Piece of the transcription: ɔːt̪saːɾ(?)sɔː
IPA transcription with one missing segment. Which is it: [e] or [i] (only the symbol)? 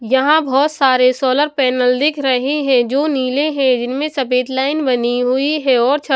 e